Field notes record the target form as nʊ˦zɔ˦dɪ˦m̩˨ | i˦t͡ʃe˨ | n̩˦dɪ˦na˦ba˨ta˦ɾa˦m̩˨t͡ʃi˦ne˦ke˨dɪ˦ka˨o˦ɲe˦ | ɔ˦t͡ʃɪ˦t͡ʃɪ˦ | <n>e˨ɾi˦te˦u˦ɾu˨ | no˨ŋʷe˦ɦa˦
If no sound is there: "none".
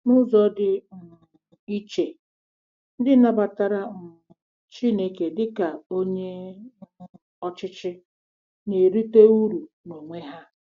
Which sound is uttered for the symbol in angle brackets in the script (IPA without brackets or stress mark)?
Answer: n